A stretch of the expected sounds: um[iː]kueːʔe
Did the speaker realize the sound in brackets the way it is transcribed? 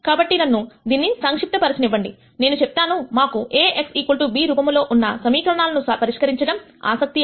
no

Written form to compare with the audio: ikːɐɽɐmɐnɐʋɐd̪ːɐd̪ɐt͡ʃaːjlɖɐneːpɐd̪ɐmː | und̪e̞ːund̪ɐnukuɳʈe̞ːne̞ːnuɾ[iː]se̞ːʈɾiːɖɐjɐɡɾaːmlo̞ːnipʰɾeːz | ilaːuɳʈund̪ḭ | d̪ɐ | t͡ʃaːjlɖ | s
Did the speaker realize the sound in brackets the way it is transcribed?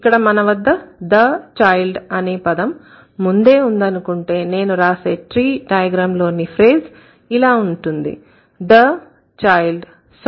no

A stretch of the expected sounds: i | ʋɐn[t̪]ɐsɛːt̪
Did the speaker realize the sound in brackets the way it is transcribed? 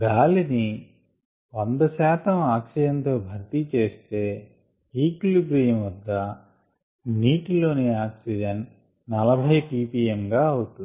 no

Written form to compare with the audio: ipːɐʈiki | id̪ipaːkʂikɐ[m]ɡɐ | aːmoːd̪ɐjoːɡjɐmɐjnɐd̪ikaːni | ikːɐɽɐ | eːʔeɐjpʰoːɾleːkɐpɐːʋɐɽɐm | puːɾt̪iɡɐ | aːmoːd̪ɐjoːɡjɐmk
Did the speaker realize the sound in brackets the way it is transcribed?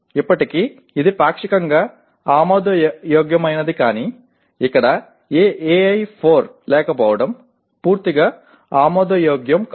no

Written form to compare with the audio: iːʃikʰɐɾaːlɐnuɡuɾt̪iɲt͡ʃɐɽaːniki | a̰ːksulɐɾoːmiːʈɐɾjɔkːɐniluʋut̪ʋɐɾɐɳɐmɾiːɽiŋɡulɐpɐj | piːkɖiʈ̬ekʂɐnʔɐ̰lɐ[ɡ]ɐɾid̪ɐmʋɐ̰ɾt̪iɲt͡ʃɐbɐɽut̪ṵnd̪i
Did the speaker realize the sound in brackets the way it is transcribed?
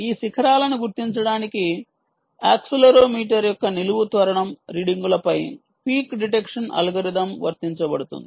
yes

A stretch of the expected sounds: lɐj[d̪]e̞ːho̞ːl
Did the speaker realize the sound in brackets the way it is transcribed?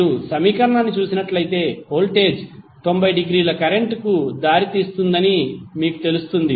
no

